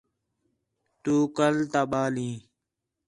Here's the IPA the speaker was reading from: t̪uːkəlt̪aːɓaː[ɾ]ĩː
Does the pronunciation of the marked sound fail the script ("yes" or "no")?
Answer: yes